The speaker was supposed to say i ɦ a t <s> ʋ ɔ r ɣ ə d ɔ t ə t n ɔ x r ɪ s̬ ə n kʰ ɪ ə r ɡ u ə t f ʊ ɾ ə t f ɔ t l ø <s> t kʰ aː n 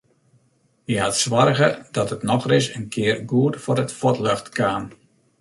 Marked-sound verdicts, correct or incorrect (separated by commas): correct, incorrect